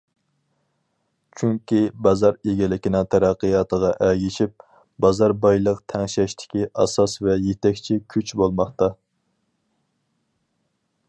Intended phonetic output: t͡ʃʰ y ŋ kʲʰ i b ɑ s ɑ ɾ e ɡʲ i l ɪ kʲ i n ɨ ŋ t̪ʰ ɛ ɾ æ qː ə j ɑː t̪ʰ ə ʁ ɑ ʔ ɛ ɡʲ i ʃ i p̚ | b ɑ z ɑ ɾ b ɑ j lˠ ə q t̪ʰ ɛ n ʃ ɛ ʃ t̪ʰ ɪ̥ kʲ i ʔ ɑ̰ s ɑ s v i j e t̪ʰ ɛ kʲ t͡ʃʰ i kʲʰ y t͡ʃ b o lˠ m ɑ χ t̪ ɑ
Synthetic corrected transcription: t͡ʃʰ y ŋ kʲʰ i b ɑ z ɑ ɾ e ɡʲ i l ɪ kʲ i n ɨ ŋ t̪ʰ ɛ ɾ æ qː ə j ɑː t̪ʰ ə ʁ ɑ ʔ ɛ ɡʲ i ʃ i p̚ | b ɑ z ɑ ɾ b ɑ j lˠ ə q t̪ʰ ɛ ŋ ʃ ɛ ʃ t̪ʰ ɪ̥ kʲ i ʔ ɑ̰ s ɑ s v ɛ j e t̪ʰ ɛ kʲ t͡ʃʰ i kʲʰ y t͡ʃ b o lˠ m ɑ χ t̪ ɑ